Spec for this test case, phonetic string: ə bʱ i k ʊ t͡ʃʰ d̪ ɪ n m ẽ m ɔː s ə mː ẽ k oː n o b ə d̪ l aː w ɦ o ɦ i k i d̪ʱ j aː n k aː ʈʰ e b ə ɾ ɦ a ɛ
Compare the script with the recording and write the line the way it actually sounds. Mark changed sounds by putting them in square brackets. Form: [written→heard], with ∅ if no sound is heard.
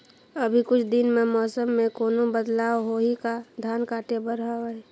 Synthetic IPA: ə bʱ i k ʊ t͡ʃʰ d̪ ɪ n m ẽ m ɔː s ə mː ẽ k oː n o b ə d̪ l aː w ɦ o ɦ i k [i→a] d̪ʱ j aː n k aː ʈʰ e b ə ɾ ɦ a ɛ